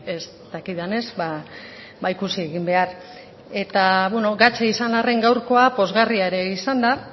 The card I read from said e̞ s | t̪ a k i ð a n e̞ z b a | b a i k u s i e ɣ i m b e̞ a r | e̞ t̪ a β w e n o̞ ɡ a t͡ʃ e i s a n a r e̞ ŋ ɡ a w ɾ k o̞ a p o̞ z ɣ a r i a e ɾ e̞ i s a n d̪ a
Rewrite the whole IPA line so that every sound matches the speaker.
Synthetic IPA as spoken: e̞ s | t̪ a k i ð a n e̞ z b a | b a i k u s i e ɣ i m b e̞ a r | e̞ t̪ a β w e n o̞ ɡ a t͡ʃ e i s a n a r e̞ ŋ ɡ a w ɾ k o̞ a p o̞ z ɣ a r i a e ɾ e̞ i s a n d̪ a